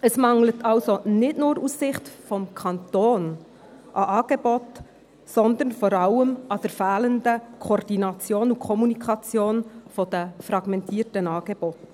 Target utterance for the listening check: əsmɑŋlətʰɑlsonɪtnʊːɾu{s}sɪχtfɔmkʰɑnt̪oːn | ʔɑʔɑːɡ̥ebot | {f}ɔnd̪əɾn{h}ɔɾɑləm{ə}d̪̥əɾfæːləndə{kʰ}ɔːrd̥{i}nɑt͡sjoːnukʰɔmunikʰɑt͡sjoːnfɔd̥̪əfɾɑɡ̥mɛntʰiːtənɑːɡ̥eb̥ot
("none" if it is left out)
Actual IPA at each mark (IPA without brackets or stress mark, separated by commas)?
s, s, f, ɑ, kʰ, i